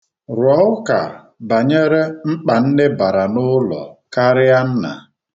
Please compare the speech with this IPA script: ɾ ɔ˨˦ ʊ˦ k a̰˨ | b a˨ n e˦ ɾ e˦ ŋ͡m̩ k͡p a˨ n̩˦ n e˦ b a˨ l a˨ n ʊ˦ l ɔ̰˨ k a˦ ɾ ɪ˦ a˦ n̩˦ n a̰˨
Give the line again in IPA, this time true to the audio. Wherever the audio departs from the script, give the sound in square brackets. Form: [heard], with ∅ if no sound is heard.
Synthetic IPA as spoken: ɾ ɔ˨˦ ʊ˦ k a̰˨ | b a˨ [ɲ] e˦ ɾ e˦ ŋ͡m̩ k͡p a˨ n̩˦ n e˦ b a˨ [ɾ] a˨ n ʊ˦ l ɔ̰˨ k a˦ ɾ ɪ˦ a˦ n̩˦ n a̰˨